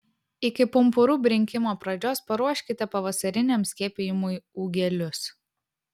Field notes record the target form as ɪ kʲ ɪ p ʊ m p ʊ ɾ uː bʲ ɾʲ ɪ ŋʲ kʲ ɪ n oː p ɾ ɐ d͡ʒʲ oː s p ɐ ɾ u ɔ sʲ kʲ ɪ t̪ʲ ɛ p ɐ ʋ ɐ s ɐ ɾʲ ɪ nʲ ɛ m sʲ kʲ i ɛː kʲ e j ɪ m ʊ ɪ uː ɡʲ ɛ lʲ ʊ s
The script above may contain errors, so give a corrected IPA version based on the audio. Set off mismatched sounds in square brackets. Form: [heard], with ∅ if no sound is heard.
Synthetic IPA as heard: ɪ kʲ ɪ p ʊ m p ʊ ɾ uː bʲ ɾʲ ɪ ŋʲ kʲ ɪ [m] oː p ɾ ɐ d͡ʒʲ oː s p ɐ ɾ u ɔ [ʃʲ] kʲ ɪ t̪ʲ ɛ p ɐ ʋ ɐ s ɐ ɾʲ ɪ nʲ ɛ m sʲ kʲ i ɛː [pʲ] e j ɪ m ʊ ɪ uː ɡʲ ɛ lʲ ʊ s